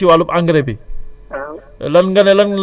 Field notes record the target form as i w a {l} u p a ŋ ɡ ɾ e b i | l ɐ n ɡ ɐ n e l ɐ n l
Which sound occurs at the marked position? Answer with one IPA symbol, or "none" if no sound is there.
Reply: l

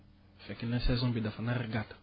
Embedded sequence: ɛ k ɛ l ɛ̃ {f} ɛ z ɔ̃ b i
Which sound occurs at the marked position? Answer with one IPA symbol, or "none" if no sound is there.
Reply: s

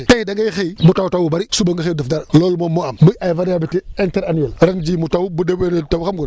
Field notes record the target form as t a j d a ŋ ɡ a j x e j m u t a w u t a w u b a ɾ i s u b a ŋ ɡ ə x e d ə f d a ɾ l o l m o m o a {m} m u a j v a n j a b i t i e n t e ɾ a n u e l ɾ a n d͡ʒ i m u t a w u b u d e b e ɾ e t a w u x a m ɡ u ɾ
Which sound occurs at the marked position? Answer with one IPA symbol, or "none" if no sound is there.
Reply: m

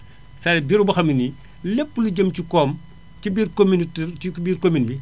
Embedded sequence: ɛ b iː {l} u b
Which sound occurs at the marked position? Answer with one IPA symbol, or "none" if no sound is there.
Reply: ɾ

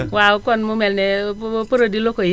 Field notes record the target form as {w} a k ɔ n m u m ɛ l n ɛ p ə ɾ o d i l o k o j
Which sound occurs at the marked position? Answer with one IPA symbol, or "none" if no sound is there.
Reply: w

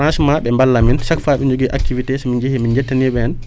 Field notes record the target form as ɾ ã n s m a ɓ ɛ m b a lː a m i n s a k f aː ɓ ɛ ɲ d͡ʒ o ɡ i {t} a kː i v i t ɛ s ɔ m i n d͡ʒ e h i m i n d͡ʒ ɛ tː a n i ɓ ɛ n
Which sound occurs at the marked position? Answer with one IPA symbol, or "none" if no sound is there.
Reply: ʔ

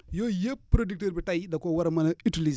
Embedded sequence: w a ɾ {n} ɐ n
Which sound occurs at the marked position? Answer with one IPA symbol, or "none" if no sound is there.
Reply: m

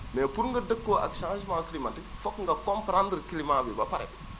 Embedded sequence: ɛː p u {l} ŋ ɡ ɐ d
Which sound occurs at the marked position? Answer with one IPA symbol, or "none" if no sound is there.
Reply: ɾ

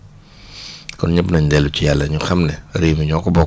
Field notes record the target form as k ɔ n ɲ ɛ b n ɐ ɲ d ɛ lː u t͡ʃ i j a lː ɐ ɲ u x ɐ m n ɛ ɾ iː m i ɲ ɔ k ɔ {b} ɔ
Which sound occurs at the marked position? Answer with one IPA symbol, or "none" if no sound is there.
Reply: b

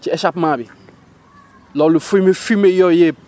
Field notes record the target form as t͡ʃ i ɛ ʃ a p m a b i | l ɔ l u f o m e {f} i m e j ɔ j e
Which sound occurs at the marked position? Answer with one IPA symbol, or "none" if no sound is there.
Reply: f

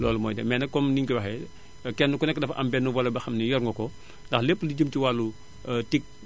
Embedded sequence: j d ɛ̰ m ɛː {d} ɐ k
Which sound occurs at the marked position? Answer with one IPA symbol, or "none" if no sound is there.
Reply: n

